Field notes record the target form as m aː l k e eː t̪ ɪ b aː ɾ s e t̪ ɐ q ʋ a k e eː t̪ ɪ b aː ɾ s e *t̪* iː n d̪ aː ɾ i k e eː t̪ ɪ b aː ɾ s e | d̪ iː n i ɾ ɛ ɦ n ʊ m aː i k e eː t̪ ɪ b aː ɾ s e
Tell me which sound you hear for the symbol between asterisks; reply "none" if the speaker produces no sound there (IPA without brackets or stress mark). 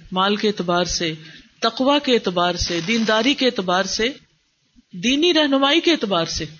d̪